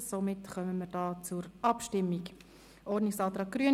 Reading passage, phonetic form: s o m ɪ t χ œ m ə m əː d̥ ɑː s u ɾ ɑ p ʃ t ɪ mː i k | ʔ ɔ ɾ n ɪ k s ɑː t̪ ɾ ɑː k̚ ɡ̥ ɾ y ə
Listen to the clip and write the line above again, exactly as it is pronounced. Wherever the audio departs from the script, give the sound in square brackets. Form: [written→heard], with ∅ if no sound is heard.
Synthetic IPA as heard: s o m ɪ t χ œ m ə m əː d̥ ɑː [s→t͡s] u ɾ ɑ p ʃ t ɪ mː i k | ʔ ɔ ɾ n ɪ k s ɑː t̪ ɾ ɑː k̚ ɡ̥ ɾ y ə

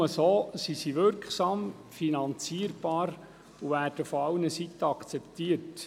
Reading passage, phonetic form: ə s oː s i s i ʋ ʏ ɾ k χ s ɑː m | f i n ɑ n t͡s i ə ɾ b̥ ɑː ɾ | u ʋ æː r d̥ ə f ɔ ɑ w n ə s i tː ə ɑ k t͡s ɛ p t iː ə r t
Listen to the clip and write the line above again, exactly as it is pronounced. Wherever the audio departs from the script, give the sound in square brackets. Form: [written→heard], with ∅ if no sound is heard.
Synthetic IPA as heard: ə s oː s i s i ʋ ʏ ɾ k χ s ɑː m | f i n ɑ n t͡s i ə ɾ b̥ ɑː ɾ | u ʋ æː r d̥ ə f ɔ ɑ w n ə s i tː ə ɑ k t͡s ɛ p t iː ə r t

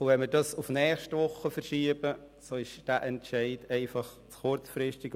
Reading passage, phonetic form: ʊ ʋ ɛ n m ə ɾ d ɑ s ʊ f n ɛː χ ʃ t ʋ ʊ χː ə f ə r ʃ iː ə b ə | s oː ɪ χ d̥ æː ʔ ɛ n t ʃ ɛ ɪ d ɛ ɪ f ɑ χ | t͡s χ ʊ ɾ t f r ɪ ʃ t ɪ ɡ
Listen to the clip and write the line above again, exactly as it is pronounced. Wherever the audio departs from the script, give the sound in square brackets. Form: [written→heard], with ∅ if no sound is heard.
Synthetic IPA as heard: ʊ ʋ ɛ n m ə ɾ d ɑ s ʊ f n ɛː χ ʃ t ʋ ʊ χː ə f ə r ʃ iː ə b ə | s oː ɪ [χ→ʃ] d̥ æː ʔ ɛ n t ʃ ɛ ɪ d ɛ ɪ f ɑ χ | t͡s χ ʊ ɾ [t→t͡s] f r ɪ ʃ t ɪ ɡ

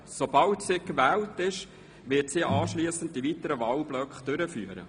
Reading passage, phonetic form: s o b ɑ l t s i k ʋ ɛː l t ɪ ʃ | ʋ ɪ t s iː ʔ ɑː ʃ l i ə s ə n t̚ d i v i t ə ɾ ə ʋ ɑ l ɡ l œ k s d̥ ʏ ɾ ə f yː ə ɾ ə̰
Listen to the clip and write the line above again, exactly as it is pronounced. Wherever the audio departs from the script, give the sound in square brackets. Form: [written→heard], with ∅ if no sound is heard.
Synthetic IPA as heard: s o b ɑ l t s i k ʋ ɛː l t ɪ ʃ | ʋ ɪ t s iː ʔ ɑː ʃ l i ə s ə n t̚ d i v i t ə ɾ ə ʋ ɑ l [ɡ→b] l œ k [s→χ] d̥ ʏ ɾ ə f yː ə ɾ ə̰

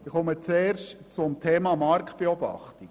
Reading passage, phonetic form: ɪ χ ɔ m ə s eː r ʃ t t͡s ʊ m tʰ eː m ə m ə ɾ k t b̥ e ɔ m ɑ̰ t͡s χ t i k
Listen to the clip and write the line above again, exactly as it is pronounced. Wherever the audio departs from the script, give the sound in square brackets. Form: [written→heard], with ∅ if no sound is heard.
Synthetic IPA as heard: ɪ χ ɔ m ə [s→t͡s] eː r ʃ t t͡s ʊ m tʰ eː m [ə→ɑ] m [ə→ɑ] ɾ k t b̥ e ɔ [m→b] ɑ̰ [t͡s→∅] χ t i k

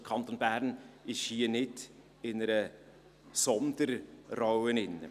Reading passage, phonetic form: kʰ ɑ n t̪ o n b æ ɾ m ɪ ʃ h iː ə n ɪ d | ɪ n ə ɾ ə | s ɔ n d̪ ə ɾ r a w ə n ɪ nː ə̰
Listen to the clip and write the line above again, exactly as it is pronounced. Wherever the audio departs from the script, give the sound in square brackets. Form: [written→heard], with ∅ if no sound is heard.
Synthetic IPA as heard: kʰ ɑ n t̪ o n b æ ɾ [m→n] ɪ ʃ h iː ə n ɪ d | ɪ n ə ɾ ə | s ɔ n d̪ ə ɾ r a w ə n ɪ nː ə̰

